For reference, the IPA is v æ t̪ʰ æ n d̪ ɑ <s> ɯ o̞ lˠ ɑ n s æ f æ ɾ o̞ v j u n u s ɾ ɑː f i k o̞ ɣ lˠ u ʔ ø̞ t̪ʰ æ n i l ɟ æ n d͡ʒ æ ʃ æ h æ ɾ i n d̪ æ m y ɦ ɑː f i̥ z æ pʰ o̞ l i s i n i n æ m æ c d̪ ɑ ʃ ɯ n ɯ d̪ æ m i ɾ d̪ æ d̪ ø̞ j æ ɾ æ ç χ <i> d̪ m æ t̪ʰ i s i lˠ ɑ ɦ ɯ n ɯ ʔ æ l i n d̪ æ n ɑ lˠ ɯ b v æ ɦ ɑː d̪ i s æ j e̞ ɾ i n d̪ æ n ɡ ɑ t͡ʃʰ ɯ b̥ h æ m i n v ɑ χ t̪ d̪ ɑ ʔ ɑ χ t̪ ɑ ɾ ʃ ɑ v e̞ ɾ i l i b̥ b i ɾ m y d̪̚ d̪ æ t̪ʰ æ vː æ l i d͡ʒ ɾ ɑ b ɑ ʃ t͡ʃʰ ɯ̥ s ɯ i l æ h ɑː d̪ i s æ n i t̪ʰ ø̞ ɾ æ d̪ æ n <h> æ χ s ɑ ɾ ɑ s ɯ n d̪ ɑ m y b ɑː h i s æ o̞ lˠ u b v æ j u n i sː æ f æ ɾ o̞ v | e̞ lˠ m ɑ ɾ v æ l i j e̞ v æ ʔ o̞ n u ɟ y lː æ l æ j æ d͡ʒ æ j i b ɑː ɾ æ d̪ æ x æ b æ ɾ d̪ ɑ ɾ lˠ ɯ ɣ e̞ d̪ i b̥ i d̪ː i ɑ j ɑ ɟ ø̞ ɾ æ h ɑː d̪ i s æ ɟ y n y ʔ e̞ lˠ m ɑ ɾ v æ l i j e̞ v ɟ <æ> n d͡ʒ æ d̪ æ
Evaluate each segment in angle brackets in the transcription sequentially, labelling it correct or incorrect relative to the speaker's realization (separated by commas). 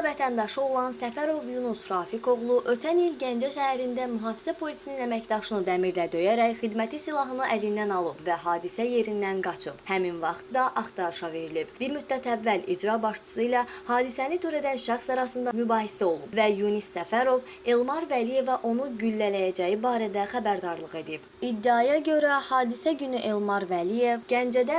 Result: incorrect, correct, incorrect, correct